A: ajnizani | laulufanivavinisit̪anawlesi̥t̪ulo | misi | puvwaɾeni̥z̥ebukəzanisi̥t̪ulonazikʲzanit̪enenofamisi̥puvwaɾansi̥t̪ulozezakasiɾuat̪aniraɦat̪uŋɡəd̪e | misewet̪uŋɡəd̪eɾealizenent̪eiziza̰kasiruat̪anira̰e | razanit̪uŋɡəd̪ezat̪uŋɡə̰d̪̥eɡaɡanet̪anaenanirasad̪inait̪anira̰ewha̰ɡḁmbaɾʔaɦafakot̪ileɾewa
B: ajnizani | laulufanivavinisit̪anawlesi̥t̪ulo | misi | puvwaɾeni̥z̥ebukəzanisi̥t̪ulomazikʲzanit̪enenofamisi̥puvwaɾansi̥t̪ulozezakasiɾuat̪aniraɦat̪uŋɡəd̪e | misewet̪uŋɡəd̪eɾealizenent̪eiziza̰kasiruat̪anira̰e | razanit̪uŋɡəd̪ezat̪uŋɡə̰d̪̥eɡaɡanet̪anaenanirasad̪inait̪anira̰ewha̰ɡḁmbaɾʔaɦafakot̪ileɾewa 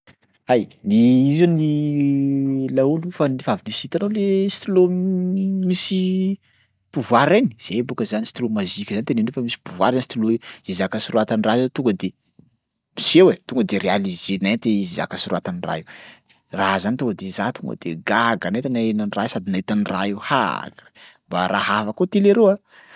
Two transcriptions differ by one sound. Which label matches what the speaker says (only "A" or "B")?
B